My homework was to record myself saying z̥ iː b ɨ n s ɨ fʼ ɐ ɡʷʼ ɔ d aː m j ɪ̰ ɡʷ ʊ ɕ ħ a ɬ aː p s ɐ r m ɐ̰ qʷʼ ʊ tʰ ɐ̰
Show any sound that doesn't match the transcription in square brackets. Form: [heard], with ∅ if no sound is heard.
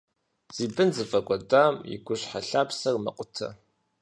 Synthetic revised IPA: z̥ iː b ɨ n [z] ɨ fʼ ɐ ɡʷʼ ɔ d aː m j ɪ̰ ɡʷ ʊ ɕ ħ a ɬ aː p s ɐ r m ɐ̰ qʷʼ ʊ tʰ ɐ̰